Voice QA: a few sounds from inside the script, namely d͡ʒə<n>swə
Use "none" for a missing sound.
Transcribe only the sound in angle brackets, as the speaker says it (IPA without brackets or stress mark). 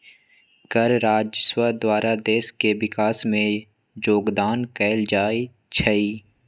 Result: none